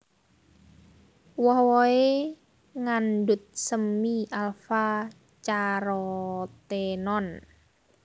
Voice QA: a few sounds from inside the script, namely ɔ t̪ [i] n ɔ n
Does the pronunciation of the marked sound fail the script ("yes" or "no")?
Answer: yes